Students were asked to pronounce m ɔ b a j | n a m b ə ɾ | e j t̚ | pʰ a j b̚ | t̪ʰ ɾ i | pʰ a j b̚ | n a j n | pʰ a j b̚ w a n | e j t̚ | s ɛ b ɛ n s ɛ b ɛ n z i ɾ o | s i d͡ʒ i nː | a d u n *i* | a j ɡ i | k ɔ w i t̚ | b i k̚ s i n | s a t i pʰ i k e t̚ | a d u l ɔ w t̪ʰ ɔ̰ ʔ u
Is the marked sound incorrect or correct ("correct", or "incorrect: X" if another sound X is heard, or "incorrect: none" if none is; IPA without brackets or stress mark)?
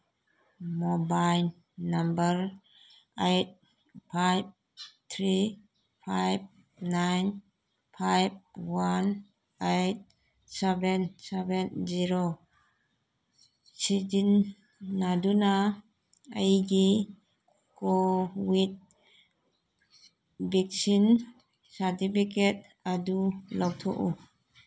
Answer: incorrect: a